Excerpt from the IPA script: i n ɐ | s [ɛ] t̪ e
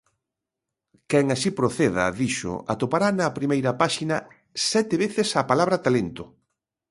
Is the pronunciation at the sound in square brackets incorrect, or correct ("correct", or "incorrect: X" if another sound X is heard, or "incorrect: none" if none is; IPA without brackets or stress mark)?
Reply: correct